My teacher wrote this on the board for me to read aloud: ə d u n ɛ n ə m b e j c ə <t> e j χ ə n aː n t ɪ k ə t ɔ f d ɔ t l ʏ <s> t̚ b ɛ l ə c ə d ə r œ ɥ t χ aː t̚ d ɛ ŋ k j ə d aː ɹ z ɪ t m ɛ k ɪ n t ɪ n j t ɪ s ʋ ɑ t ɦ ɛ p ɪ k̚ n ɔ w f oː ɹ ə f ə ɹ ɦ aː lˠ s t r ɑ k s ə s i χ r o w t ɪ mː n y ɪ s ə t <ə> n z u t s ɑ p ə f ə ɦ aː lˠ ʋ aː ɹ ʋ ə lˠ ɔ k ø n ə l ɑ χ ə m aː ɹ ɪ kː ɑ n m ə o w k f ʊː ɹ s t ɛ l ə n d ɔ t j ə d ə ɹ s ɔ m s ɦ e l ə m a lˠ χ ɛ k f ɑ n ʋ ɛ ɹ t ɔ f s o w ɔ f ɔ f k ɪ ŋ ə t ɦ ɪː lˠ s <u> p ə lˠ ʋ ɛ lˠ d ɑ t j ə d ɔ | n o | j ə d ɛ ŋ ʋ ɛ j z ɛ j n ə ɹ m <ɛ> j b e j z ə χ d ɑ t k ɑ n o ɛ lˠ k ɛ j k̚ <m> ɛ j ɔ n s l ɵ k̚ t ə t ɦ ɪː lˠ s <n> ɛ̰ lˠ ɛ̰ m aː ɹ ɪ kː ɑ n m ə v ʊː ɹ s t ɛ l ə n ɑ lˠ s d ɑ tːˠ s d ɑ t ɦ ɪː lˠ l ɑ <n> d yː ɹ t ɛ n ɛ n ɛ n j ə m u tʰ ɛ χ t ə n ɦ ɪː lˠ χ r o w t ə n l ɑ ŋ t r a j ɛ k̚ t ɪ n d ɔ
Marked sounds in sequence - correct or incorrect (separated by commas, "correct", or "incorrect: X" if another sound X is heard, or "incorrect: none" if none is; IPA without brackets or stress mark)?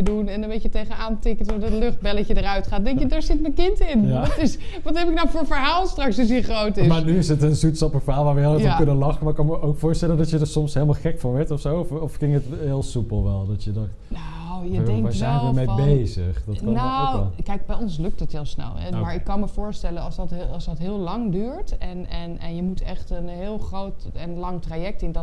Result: correct, incorrect: χ, correct, correct, incorrect: e, incorrect: b, correct, incorrect: ŋ